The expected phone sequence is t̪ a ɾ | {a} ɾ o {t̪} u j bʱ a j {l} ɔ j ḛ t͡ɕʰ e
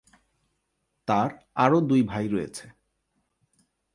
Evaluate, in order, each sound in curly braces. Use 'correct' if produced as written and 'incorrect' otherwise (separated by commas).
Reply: correct, incorrect, incorrect